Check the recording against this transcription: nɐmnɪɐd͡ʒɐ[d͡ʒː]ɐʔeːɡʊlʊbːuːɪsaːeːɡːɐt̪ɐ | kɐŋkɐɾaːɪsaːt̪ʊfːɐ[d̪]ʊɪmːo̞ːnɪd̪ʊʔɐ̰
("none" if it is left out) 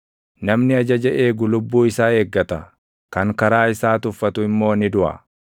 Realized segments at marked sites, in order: d͡ʒ, t̪

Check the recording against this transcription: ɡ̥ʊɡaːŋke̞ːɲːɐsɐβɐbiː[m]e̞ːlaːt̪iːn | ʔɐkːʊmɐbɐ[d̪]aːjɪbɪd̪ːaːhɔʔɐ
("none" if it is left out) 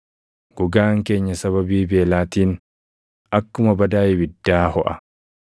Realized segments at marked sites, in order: b, d̪

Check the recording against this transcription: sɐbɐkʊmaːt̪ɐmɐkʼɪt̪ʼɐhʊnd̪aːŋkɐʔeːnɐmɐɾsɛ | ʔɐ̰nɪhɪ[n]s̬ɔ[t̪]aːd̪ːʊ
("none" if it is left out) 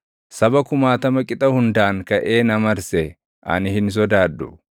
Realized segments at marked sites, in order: n, d̪

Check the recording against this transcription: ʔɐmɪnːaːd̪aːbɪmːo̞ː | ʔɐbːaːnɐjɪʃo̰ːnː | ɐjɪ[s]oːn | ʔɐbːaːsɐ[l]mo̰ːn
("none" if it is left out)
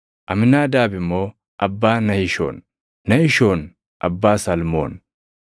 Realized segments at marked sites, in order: ʃ, l

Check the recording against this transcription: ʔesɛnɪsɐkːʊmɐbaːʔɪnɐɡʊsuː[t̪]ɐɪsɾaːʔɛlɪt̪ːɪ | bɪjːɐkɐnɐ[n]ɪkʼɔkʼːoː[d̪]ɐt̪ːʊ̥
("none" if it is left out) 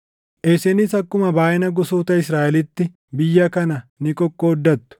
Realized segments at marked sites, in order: t̪, n, d̪ː

